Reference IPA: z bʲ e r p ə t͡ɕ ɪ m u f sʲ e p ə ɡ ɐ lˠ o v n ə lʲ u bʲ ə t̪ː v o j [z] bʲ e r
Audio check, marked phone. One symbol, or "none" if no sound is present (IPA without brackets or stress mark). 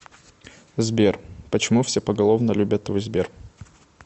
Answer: z